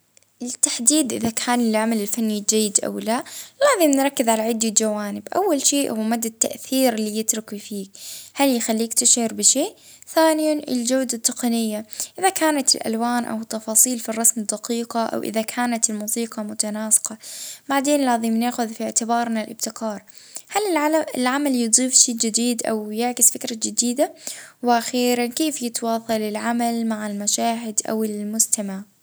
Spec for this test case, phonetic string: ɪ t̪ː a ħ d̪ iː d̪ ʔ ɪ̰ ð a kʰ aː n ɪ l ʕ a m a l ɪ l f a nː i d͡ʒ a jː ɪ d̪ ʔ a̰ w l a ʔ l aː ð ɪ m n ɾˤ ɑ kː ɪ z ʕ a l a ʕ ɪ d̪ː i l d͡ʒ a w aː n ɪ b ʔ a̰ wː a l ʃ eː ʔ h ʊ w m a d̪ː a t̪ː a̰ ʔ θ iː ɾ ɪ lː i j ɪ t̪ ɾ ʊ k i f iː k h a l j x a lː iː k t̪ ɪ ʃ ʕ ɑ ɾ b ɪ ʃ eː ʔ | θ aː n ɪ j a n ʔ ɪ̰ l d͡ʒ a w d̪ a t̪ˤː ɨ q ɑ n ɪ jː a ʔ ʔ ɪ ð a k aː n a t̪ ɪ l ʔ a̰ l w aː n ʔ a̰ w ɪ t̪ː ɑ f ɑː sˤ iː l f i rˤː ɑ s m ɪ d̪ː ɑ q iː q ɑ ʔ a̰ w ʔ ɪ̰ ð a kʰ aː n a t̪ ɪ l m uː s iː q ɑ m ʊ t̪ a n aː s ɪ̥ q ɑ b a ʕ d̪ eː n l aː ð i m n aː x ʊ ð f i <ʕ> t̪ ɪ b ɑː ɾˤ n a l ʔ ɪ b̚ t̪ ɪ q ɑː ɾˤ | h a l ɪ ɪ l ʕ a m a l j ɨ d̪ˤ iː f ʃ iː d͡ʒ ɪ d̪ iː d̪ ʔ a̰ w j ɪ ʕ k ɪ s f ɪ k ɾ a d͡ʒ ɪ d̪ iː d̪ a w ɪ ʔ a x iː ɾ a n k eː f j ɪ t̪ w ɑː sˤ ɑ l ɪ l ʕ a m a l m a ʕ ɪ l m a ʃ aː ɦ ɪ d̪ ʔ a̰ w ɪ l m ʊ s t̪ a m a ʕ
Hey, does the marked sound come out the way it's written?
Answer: yes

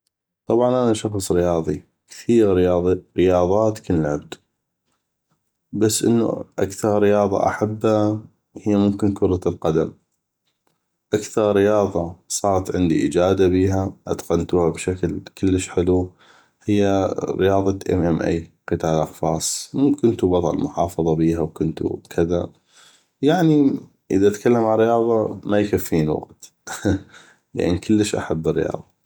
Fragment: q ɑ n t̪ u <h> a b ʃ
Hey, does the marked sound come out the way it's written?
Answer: yes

